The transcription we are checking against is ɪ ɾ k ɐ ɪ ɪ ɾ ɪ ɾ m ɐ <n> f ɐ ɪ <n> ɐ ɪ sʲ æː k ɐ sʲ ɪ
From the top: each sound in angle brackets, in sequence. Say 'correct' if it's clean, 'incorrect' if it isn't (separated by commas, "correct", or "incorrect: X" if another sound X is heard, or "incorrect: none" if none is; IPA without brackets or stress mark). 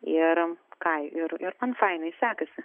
correct, correct